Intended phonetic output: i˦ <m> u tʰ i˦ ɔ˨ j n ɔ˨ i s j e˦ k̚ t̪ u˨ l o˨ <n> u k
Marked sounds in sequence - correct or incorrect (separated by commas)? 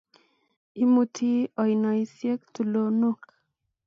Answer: correct, correct